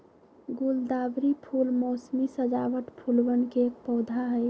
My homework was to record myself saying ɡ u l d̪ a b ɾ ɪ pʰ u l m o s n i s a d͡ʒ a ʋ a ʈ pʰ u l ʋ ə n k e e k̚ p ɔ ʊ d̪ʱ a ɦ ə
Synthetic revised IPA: ɡ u l d̪ a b ɾ i pʰ u l m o s m i s ə d͡ʒ a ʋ ə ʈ pʰ u l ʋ ə n k e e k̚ p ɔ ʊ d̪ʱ a ɦ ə